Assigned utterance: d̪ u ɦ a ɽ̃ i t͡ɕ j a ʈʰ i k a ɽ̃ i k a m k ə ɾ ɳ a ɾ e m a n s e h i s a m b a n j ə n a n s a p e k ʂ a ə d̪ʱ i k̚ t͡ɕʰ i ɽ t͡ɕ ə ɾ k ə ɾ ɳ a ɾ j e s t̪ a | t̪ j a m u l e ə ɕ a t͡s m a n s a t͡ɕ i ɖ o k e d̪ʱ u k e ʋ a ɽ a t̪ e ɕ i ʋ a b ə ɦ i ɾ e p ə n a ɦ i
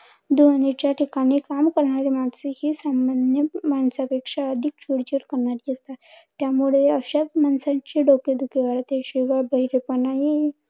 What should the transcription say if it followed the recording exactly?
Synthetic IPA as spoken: d̪ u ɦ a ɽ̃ i t͡ɕ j a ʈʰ i k a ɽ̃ i k a m k ə ɾ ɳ a ɾ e m a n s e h i s a m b a n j ə m a n s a p e k ʂ a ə d̪ʱ i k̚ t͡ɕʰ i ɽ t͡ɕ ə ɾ k ə ɾ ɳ a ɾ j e s t̪ a | t̪ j a m u ɭ e ə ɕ a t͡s m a n s a t͡ɕ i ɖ o k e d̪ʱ u k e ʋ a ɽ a t̪ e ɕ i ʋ a b ə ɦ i ɾ e p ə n a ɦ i